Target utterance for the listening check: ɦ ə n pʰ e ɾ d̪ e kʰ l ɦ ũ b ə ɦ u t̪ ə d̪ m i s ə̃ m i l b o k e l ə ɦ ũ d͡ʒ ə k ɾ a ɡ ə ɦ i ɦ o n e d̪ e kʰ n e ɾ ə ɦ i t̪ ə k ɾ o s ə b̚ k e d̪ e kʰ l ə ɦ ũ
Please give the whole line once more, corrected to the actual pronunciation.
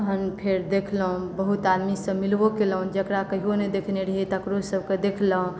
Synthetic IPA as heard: ɦ ə n pʰ e ɾ d̪ e kʰ l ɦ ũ b ə ɦ u t̪ a d̪ m i s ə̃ m i l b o k e l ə ɦ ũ d͡ʒ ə k ɾ a k ə ɦ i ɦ o n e d̪ e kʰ n e ɾ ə ɦ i t̪ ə k ɾ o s ə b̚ k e d̪ e kʰ l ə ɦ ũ